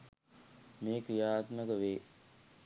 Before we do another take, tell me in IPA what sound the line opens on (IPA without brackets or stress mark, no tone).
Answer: m